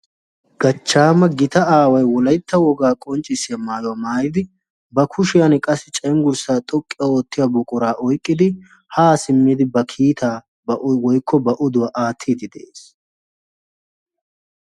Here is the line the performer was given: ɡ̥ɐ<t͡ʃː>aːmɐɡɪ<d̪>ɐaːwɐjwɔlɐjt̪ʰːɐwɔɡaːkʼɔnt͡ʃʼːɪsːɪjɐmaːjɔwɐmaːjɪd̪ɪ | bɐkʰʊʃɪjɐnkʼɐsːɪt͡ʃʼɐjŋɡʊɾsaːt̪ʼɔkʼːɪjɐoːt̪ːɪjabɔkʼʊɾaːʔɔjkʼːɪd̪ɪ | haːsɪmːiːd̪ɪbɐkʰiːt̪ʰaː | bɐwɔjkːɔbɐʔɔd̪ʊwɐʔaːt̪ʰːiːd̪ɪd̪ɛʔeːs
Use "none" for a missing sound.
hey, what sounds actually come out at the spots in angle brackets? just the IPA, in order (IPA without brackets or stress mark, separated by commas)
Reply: t͡ʃː, t̪